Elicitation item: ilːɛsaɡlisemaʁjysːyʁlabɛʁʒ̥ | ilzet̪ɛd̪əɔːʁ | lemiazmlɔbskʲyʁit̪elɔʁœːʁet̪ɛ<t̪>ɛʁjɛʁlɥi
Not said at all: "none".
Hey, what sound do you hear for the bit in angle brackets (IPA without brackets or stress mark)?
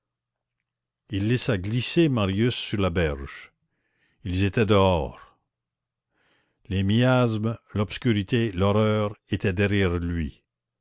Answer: d̪